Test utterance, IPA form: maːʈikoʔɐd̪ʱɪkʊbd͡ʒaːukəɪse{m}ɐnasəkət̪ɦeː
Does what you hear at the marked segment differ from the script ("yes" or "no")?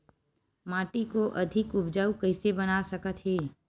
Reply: yes